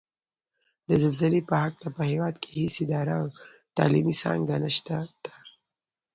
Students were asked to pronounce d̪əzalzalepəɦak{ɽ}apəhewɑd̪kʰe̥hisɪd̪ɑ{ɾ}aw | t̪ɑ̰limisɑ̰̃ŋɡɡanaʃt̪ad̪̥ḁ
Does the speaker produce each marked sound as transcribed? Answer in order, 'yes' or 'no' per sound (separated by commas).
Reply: no, yes